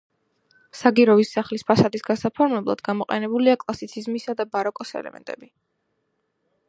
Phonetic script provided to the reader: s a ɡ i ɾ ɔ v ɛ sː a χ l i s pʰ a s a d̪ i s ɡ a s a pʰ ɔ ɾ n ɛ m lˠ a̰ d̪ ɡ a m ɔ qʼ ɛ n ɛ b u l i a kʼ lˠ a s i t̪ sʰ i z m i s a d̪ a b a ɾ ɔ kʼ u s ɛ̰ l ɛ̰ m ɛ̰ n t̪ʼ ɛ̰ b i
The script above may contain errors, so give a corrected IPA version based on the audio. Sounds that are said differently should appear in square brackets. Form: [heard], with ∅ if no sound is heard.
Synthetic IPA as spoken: s a ɡ i ɾ ɔ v [i] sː a χ l i s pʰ a s a d̪ i s ɡ a s a pʰ ɔ ɾ [m] ɛ [b] lˠ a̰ d̪ ɡ a m ɔ qʼ ɛ n ɛ b u l i a kʼ lˠ a s i t̪ sʰ i z m i s a d̪ a b a ɾ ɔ kʼ [ɔ] s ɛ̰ l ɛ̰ m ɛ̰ n t̪ʼ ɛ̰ b i